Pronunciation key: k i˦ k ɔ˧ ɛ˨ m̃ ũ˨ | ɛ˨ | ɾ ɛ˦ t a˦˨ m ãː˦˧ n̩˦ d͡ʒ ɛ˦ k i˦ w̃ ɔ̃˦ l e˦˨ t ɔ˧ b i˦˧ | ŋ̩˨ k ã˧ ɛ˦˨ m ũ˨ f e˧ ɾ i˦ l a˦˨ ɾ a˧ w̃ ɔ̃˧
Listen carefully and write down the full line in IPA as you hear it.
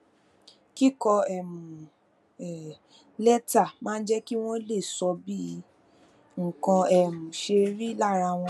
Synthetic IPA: k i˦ k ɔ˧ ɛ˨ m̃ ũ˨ | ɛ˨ | l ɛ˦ t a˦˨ m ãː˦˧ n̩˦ d͡ʒ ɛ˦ k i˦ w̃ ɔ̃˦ l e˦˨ s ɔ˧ b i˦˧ | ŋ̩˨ k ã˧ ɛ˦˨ m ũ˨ ʃ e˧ ɾ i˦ l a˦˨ ɾ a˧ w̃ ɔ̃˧